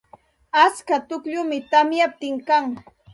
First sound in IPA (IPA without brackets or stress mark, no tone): a